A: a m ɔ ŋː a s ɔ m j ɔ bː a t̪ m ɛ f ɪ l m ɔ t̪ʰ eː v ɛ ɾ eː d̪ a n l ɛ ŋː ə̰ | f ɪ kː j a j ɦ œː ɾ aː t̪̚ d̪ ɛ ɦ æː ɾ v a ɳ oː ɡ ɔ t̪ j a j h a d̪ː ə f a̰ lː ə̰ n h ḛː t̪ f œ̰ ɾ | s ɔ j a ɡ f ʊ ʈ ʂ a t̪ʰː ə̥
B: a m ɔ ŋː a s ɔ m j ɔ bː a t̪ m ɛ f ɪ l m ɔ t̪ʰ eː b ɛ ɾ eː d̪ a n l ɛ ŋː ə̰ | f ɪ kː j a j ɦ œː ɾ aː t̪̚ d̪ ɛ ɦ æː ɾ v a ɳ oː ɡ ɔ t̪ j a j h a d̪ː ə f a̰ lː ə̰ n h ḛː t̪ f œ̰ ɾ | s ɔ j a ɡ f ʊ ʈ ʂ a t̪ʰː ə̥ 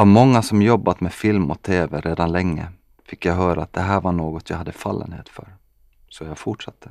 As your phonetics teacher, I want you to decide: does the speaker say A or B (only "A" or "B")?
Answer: A